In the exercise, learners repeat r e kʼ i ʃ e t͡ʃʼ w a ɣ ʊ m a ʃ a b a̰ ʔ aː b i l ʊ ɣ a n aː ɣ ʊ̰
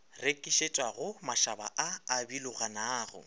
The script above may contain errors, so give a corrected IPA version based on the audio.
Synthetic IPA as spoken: r e kʼ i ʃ e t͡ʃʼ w a ɣ ʊ m a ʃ a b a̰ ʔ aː b i l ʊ ɣ a n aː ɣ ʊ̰